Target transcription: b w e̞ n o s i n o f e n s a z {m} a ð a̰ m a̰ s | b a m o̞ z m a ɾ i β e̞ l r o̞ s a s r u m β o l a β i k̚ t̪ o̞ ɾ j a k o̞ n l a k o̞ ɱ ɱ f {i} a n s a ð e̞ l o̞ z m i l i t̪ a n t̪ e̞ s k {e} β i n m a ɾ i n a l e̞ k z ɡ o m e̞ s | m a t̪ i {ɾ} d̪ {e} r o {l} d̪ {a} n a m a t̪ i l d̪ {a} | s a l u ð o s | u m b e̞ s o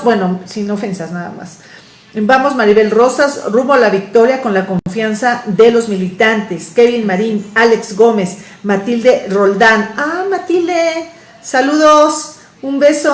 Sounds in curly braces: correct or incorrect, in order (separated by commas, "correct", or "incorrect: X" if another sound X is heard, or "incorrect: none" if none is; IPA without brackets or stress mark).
incorrect: n, incorrect: j, correct, incorrect: l, correct, correct, correct, incorrect: e